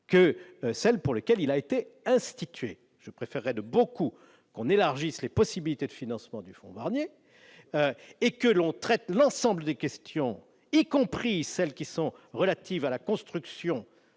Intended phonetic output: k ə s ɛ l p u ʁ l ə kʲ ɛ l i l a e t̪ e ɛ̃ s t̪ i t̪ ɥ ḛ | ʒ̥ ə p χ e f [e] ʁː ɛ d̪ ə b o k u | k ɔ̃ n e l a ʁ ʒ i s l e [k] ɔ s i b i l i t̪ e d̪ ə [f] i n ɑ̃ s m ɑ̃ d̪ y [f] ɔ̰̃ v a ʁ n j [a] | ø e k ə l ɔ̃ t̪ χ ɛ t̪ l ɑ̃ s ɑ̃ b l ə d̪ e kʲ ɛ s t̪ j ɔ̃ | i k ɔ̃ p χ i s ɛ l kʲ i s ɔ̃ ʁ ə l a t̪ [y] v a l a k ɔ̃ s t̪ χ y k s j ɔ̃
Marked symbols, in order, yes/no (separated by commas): no, no, yes, yes, no, no